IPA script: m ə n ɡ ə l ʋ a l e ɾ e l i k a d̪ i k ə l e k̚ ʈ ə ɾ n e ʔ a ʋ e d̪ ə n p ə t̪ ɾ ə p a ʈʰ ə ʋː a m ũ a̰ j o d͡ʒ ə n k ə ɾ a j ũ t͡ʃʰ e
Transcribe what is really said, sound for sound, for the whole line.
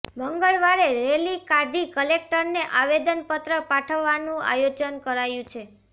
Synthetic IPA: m ə ŋ ɡ ə ɭ ʋ a ɾ e ɾ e l i k a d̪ i k ə l e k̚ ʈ ə ɾ n e ʔ a ʋ e d̪ ə n p ə t̪ ɾ ə p a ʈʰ ə ʋː a n ũ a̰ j o d͡ʒ ə n k ə ɾ a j ũ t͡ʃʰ e